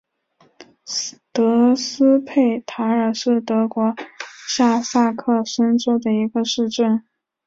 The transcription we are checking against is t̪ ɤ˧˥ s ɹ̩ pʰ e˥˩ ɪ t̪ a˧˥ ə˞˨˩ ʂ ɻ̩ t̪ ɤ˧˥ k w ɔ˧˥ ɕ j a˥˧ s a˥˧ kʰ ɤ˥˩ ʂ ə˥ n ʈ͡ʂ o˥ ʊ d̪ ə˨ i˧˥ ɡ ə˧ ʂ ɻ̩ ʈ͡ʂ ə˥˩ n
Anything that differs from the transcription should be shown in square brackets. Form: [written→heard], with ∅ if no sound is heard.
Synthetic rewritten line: t̪ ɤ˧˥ s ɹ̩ pʰ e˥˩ ɪ [t̪→t̪ʰ] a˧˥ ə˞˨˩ ʂ ɻ̩ t̪ ɤ˧˥ k w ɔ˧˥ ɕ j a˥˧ s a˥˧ kʰ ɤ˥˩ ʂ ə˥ n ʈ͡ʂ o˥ ʊ d̪ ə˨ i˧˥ ɡ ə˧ ʂ ɻ̩ ʈ͡ʂ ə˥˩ n